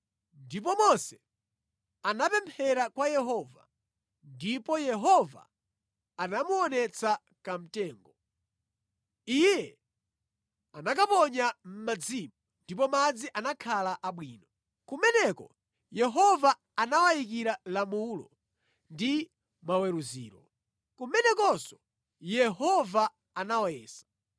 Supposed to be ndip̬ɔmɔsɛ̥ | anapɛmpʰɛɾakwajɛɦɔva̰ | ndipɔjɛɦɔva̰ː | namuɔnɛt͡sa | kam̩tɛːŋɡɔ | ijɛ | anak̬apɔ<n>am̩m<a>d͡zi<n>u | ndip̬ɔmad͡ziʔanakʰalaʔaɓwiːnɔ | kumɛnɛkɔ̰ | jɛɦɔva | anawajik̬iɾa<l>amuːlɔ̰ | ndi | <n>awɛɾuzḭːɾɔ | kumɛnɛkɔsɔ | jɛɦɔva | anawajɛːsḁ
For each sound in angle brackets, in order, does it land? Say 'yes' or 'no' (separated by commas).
no, yes, no, yes, no